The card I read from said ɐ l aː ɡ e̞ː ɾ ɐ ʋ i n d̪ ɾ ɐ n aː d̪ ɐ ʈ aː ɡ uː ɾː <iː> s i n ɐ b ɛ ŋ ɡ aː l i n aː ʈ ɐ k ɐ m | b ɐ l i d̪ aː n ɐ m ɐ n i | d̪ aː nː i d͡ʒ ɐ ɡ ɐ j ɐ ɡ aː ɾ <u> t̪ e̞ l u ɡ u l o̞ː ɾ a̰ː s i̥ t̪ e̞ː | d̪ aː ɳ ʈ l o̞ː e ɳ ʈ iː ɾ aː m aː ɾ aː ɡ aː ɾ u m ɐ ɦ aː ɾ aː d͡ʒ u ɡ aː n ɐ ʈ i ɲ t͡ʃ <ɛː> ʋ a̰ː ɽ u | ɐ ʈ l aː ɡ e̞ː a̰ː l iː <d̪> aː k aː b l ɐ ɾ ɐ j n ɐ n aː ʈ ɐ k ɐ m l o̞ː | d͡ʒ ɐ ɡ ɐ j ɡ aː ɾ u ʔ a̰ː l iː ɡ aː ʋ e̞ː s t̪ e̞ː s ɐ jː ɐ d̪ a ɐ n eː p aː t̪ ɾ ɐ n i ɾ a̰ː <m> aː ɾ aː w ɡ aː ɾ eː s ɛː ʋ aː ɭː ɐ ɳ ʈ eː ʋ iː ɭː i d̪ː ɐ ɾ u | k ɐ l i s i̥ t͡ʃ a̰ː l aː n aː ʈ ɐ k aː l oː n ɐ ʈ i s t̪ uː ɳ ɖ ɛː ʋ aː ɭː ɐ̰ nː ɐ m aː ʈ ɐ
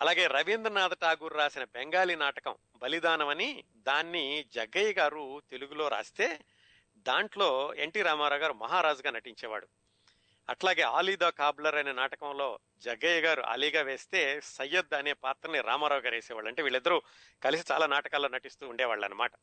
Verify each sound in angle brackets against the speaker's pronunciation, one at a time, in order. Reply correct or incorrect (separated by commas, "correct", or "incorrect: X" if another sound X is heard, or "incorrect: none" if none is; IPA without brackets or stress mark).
incorrect: aː, correct, correct, correct, correct